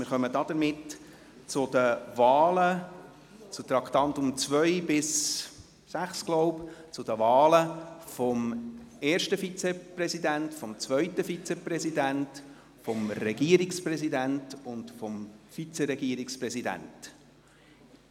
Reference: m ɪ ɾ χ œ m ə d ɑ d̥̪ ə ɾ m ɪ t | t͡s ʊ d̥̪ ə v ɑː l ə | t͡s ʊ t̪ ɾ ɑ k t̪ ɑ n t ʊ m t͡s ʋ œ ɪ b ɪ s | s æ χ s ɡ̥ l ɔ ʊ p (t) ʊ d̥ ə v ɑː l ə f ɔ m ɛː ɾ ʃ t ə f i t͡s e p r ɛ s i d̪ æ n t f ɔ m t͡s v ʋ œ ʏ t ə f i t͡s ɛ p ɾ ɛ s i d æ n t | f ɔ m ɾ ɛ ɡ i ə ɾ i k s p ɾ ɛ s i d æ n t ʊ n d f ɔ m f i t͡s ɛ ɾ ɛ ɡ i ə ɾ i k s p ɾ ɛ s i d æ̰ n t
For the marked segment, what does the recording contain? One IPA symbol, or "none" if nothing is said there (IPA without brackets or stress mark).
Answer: t͡s